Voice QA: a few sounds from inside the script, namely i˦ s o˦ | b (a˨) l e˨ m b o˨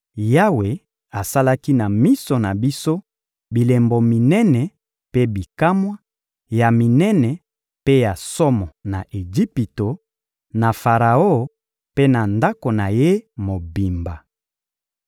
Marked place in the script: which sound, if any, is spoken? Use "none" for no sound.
i˨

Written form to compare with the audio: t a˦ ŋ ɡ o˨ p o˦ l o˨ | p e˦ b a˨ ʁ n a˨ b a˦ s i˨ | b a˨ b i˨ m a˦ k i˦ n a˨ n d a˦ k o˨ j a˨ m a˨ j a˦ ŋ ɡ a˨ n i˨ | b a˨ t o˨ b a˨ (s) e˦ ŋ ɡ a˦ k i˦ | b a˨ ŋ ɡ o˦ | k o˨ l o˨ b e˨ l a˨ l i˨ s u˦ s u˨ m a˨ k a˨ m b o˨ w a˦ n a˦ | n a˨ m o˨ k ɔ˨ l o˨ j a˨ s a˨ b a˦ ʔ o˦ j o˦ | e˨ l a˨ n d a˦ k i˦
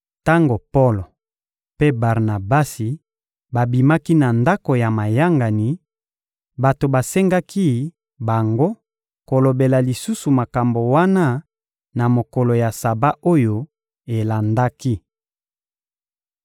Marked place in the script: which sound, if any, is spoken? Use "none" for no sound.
s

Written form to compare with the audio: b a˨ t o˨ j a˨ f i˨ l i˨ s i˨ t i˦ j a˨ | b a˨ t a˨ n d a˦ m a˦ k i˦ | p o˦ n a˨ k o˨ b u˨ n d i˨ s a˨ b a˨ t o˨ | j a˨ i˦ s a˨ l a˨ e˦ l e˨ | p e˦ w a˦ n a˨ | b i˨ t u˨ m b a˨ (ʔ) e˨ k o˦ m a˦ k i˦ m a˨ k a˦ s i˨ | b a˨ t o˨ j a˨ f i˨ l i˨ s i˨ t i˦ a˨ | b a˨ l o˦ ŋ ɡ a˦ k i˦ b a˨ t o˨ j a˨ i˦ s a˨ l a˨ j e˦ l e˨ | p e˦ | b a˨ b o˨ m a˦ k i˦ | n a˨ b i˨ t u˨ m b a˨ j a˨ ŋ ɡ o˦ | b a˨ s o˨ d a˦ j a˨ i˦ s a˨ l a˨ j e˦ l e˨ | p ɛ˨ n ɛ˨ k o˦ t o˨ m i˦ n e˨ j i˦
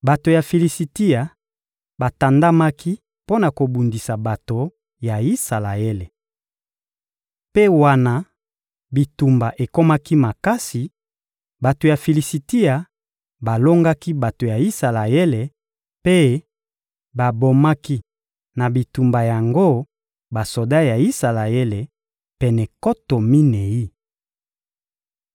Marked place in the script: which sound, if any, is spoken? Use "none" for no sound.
ʔ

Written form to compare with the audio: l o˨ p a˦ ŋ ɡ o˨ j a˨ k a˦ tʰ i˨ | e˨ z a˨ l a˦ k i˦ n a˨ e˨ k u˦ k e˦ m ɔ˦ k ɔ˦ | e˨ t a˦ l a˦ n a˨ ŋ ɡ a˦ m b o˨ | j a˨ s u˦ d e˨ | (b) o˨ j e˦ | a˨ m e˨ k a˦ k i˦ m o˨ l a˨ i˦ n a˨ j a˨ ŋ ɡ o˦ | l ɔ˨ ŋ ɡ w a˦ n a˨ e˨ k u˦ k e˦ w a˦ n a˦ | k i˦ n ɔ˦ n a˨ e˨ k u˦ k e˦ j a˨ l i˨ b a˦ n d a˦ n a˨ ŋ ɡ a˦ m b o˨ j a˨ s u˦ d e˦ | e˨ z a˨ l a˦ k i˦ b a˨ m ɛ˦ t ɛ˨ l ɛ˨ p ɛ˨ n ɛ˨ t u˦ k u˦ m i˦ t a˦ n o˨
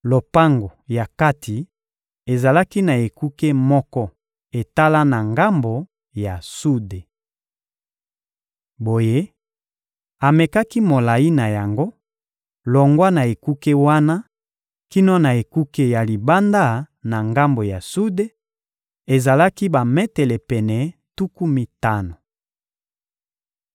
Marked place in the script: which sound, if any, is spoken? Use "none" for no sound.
b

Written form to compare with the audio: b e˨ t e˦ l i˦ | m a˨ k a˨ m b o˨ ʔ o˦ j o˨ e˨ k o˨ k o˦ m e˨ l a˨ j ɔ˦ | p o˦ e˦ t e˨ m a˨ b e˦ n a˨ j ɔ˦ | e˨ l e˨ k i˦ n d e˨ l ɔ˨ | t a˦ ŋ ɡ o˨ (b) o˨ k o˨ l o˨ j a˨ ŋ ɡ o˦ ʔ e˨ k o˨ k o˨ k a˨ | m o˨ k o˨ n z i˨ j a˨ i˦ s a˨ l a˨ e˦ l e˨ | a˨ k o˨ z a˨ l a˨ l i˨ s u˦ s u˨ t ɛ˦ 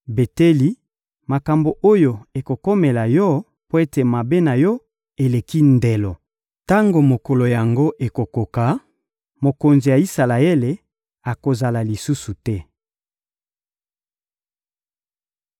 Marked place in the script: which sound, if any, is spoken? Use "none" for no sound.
m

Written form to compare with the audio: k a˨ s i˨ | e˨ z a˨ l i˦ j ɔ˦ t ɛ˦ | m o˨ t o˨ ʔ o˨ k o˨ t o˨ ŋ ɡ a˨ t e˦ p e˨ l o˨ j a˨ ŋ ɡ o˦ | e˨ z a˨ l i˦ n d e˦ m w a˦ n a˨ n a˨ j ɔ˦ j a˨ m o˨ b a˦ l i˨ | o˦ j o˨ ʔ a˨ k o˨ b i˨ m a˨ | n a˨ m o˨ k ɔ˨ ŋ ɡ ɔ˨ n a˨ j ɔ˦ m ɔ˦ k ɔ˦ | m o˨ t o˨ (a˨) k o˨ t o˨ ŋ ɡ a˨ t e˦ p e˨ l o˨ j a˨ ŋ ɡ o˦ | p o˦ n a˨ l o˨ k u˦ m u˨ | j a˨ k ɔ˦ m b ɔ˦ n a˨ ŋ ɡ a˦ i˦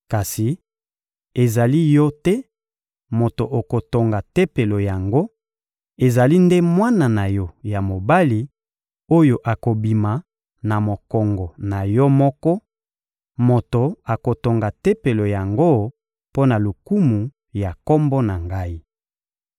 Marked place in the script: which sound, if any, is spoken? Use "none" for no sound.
a˨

